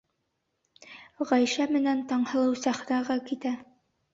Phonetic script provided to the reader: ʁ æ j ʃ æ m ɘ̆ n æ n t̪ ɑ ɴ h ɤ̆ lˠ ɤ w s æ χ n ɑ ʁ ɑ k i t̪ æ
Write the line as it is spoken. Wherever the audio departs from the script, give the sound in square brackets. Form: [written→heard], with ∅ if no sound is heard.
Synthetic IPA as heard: ʁ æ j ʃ æ m ɘ̆ n æ n t̪ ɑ ɴ h ɤ̆ lˠ ɤ w s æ χ n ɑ ʁ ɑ k i t̪ æ